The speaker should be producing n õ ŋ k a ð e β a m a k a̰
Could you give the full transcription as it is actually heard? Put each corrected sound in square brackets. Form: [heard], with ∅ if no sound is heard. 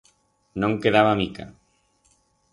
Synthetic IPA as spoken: n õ ŋ k [e] ð [a] β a m [i] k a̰